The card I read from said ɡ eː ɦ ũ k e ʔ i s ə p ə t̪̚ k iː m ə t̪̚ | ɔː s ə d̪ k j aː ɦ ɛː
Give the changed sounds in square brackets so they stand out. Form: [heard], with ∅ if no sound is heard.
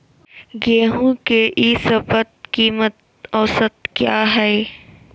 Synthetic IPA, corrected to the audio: ɡ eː ɦ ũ k e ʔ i s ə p ə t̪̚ k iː m ə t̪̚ | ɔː s ə [t̪] k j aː ɦ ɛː

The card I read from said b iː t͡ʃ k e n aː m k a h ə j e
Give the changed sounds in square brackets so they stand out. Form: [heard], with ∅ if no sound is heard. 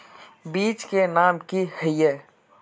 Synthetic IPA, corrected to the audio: b iː t͡ʃ k e n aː m k [i] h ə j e

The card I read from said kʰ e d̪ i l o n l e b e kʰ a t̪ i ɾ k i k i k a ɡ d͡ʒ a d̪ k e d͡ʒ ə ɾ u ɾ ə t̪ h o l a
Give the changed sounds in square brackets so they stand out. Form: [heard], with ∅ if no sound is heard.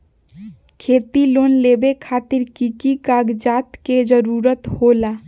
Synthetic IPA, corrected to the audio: kʰ e [t̪] i l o n l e b e kʰ a t̪ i ɾ k i k i k a ɡ d͡ʒ a [t̪] k e d͡ʒ ə ɾ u ɾ ə t̪ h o l a

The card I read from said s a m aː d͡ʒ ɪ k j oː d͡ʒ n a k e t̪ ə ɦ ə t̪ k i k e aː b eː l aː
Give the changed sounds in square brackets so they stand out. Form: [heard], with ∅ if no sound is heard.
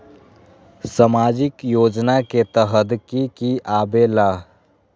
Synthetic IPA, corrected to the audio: s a m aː d͡ʒ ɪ k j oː d͡ʒ n a k e t̪ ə ɦ ə [d̪] k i k [i] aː b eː l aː

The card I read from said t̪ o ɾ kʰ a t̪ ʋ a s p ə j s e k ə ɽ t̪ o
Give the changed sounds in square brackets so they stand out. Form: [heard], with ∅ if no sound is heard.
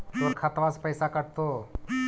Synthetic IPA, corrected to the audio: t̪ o ɾ kʰ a t̪ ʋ a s p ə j s [a] k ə ɽ t̪ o

